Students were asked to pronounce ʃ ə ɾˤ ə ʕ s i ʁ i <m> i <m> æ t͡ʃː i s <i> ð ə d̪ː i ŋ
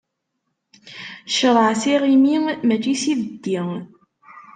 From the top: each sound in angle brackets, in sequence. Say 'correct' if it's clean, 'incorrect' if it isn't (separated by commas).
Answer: correct, correct, correct